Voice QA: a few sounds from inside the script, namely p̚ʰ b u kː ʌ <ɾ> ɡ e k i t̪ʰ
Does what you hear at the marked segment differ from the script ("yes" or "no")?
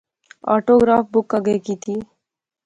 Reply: yes